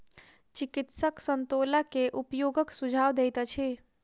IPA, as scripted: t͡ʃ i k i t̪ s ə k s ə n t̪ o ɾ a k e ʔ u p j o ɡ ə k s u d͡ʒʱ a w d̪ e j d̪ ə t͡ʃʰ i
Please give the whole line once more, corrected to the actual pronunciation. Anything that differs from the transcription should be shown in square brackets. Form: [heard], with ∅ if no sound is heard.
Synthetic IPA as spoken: t͡ʃ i k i t̪ s ə k s ə n t̪ o [l] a k e ʔ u p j o ɡ ə k s u d͡ʒʱ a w d̪ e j [t̪] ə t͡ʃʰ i